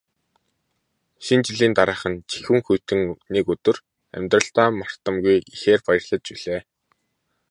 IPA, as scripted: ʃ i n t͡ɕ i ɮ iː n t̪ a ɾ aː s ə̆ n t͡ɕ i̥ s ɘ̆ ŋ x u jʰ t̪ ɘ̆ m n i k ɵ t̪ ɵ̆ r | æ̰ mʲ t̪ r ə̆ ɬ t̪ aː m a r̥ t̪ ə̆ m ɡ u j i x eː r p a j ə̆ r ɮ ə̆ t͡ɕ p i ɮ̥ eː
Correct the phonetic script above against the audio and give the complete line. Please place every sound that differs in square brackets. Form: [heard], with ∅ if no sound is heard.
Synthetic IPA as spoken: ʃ i n t͡ɕ i ɮ iː n t̪ a ɾ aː [χ] ə̆ n t͡ɕ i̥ [x] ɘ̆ ŋ x u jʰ t̪ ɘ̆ [ŋ] n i k ɵ t̪ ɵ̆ r | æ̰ mʲ t̪ r ə̆ ɬ t̪ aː m a r̥ t̪ ə̆ m ɡ u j i x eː r p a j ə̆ r ɮ ə̆ t͡ɕ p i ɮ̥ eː